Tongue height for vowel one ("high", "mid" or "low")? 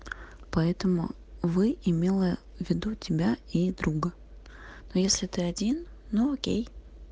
low